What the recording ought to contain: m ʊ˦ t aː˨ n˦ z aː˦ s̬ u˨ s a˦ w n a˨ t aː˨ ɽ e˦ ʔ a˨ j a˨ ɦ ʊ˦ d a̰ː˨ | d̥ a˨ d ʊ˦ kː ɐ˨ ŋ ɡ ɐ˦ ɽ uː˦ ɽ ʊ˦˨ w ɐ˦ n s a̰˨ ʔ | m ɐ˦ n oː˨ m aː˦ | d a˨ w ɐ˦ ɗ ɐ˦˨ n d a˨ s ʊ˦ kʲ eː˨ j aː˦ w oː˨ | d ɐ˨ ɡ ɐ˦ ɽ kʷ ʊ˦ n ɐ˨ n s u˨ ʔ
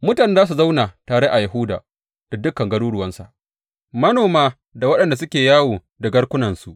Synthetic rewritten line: m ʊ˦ t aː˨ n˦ z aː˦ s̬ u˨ z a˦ w n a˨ t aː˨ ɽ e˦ ʔ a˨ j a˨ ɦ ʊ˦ d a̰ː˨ | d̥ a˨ d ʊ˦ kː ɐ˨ ŋ ɡ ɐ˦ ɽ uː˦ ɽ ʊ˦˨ w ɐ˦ n s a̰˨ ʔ | m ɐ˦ n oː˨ m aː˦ | d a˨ w ɐ˦ ɗ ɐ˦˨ n d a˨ s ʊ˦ kʲ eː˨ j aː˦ w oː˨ | d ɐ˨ ɡ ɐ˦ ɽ kʷ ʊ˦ n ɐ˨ n s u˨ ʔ

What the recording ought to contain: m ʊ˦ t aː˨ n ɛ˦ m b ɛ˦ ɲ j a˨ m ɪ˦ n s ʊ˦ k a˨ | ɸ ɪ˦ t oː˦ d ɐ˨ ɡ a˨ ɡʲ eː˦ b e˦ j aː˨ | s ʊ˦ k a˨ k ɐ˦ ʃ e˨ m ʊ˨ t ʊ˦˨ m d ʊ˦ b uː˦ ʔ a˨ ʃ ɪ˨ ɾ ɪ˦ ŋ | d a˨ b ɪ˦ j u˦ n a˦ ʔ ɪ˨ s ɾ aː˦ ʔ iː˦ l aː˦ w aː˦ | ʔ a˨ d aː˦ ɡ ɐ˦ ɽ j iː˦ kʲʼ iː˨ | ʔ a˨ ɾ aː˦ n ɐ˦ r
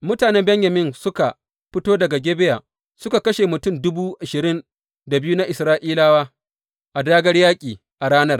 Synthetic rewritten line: m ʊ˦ t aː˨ n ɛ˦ m b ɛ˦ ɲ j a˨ m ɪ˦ n s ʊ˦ k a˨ | ɸ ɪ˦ t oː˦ d ɐ˨ ɡ a˨ ɡʲ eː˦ b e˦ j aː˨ | s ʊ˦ k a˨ k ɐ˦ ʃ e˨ m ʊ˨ t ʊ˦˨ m d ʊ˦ b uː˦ ʔ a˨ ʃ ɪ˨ ɾ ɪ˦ n | d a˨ b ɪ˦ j u˦ n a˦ ʔ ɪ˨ s ɾ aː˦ ʔ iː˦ l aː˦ w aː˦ | ʔ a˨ d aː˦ ɡ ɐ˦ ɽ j aː˦ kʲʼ iː˨ | ʔ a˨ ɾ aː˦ n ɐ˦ r

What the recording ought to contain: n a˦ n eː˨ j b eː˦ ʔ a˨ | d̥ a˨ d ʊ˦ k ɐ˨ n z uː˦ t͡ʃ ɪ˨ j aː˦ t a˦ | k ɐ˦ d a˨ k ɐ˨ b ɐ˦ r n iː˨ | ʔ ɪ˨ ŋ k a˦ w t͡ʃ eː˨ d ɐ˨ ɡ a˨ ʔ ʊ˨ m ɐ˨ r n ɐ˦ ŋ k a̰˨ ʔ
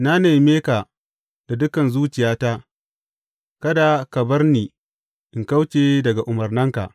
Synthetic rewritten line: n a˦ n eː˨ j m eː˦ k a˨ | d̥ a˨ d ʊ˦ k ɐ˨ n z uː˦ t͡ʃ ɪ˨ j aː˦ t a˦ | k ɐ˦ d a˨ k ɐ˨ b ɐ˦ r n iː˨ | ʔ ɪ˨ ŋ k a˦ w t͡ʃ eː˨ d ɐ˨ ɡ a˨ ʔ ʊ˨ m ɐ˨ r n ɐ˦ ŋ k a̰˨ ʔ

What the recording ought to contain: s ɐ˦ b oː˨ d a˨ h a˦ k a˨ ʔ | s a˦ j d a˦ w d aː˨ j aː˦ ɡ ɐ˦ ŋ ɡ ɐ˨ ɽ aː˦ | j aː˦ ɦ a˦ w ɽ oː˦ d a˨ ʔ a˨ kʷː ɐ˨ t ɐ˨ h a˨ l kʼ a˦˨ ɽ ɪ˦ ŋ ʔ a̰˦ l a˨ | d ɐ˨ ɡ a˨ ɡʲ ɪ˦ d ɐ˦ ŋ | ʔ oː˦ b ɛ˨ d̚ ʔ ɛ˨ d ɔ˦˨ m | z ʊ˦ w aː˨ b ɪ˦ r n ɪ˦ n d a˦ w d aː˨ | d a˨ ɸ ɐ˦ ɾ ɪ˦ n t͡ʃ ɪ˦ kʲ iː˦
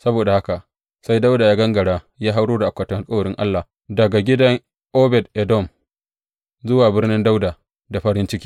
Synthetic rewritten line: s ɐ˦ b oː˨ d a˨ h a˦ k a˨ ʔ | s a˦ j d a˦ w d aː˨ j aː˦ ɡ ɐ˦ ŋ ɡ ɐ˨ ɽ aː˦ | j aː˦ ɦ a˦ w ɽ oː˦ d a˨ ʔ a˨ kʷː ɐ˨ t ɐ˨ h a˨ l kʼ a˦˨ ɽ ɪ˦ ŋ ʔ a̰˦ lː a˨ | d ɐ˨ ɡ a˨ ɡʲ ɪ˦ d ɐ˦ ŋ | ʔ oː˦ b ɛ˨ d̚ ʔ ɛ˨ d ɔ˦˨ m | z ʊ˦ w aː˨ b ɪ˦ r n ɪ˦ n d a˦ w d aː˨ | d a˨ ɸ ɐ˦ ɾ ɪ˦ n t͡ʃ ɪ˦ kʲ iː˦

